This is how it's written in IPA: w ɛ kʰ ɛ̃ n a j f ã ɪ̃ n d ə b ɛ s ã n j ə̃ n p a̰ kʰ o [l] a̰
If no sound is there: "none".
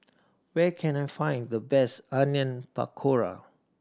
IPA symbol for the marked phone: ɹ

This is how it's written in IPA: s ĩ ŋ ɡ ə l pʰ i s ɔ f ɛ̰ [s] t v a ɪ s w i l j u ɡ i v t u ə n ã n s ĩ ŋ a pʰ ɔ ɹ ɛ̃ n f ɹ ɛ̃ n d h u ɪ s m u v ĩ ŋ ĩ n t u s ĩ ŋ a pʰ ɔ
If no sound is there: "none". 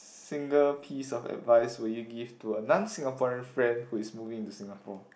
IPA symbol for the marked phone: none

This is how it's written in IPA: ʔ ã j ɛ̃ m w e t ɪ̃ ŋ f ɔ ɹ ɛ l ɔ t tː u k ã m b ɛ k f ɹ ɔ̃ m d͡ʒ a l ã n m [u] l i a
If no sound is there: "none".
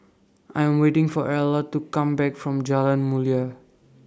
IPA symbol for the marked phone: u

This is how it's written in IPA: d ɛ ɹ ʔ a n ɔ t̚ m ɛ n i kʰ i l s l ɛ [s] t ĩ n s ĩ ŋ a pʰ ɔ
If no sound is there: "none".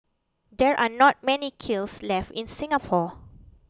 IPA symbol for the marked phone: f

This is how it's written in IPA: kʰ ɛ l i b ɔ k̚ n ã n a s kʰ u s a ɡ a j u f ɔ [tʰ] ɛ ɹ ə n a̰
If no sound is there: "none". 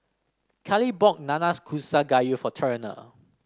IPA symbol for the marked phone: tʰ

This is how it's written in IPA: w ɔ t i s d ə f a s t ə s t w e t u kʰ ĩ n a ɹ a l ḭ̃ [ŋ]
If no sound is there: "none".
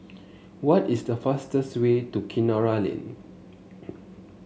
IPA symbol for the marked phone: n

